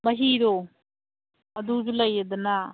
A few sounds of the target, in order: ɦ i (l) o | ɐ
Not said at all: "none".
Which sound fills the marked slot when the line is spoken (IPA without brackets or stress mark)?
ɾ